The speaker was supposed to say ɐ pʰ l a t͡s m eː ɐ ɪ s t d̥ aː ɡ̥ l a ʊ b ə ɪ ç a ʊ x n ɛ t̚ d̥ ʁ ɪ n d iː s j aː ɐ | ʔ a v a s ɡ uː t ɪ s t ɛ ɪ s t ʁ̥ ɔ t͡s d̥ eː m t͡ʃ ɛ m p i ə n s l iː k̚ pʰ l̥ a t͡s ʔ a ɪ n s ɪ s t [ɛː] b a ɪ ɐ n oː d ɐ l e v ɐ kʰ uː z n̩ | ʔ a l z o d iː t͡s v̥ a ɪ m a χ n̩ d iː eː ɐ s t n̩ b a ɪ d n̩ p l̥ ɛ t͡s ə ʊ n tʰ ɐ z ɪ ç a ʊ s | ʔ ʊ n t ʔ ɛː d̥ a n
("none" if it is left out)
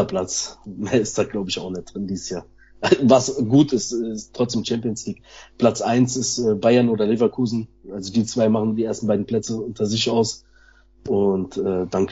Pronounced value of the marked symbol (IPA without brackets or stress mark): ɛː